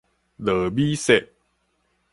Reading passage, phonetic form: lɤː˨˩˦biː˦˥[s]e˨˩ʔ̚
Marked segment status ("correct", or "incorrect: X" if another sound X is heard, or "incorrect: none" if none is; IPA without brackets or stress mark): correct